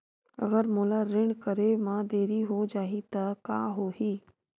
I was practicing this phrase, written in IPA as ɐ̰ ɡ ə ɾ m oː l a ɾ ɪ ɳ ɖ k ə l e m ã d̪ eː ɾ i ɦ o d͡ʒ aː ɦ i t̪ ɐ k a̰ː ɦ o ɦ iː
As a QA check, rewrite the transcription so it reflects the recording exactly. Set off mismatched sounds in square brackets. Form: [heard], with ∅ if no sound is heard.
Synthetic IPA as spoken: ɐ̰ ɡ ə ɾ m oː l a ɾ ɪ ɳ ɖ k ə [ɾ] e m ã d̪ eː ɾ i ɦ o d͡ʒ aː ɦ i t̪ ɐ k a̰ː ɦ o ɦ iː